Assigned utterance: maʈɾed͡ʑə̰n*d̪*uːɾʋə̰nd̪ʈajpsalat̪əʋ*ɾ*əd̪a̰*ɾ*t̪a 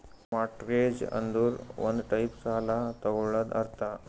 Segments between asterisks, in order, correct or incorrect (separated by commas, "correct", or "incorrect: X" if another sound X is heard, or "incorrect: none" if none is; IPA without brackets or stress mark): correct, incorrect: ɭ, correct